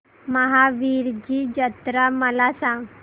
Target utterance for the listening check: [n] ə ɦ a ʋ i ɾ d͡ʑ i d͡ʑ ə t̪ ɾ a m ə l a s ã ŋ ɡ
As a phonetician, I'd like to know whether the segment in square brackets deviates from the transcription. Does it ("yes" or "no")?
yes